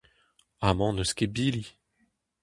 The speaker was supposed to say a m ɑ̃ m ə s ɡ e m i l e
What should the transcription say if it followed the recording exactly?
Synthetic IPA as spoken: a m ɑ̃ n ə s k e b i l i